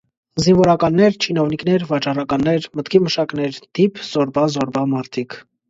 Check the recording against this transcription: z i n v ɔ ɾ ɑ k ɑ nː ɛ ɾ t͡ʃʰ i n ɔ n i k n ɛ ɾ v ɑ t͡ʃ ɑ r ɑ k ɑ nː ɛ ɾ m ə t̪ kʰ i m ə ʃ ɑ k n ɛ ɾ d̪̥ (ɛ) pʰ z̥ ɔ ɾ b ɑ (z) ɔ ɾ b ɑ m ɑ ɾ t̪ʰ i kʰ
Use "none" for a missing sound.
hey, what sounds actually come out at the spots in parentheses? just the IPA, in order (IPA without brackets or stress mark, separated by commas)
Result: i, z